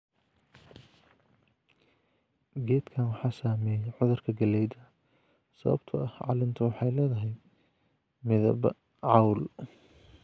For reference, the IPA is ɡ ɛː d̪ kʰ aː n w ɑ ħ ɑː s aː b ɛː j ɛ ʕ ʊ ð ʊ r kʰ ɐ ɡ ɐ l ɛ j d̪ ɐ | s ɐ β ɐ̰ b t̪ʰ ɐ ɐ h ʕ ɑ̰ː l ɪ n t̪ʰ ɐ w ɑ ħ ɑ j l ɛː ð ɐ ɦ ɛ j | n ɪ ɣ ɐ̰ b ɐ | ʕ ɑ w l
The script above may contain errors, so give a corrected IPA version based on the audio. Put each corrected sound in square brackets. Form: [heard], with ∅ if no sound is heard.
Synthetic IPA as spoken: ɡ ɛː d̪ kʰ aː n w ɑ ħ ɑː s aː [m] ɛː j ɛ ʕ ʊ ð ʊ r kʰ ɐ ɡ ɐ l ɛ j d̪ ɐ | s ɐ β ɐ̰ b t̪ʰ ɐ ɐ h ʕ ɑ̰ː l ɪ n t̪ʰ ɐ w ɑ ħ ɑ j l ɛː ð ɐ ɦ ɛ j | [m] ɪ [ð] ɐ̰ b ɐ | ʕ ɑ w l